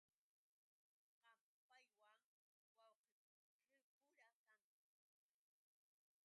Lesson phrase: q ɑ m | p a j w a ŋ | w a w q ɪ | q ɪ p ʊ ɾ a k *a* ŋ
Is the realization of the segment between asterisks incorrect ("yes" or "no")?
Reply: no